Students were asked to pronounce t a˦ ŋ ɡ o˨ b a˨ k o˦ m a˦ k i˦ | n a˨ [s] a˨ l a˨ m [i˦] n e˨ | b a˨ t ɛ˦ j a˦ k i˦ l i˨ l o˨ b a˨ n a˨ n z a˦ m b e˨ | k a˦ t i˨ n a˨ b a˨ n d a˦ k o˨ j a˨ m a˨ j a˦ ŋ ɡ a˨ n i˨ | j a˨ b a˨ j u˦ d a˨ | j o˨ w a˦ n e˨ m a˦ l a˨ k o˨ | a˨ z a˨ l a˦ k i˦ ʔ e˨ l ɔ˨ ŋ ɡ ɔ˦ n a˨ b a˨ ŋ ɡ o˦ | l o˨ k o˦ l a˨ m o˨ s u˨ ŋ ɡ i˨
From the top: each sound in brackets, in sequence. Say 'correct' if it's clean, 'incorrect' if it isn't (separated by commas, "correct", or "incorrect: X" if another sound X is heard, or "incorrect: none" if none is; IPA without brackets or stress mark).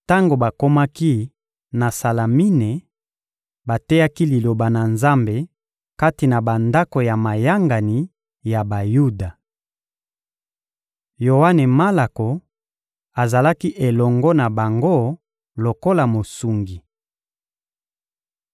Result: correct, correct